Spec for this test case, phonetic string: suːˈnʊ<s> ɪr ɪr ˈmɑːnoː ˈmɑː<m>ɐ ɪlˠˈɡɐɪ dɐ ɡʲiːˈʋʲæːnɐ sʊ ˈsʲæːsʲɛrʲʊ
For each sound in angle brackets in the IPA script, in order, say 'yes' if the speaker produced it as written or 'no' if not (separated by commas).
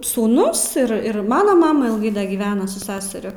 yes, yes